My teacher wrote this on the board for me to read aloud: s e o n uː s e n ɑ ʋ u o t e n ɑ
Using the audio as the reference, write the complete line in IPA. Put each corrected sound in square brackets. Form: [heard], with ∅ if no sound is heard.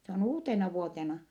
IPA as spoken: s e o n uː [t] e n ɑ ʋ u o t e n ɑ